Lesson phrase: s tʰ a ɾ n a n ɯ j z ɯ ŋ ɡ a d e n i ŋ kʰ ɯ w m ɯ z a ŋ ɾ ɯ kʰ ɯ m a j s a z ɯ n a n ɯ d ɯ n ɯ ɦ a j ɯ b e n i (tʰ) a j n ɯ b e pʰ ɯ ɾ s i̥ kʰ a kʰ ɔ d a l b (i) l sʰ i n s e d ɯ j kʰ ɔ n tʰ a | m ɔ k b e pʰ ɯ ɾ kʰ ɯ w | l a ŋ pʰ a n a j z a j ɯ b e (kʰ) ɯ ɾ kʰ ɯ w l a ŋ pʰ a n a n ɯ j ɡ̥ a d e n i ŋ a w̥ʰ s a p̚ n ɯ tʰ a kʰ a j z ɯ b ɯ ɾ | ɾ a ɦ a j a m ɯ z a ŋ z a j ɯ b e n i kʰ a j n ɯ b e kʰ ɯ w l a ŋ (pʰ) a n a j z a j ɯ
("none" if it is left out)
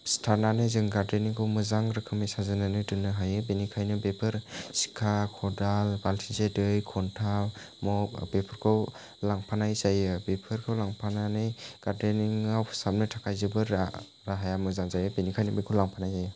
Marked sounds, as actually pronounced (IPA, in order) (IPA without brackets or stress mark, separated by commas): kʰ, a, pʰ, pʰ